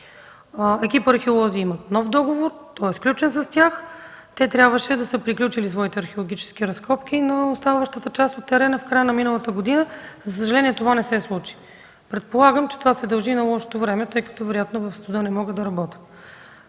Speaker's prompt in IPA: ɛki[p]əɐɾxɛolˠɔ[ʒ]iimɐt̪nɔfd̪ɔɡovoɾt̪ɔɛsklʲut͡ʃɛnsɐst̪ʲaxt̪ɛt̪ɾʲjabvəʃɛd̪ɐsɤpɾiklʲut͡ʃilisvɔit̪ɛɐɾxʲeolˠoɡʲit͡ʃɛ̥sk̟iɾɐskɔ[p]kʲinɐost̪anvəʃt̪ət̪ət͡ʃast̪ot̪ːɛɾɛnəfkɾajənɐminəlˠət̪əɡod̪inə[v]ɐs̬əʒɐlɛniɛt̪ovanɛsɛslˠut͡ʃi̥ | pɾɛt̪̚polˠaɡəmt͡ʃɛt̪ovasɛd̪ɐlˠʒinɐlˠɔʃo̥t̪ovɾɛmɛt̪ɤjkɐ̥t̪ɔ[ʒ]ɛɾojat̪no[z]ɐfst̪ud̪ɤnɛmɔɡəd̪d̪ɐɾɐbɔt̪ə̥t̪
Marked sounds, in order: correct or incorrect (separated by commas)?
correct, incorrect, correct, incorrect, incorrect, incorrect